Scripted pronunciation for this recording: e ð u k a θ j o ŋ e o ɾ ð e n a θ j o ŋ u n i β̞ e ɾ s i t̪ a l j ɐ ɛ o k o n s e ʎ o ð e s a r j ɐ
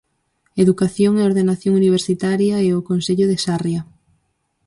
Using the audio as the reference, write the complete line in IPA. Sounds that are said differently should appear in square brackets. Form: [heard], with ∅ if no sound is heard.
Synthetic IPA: e ð u k a θ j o ŋ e o ɾ ð e n a θ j o ŋ u n i β̞ e ɾ s i t̪ a [ɾ] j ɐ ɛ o k o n s e ʎ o ð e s a r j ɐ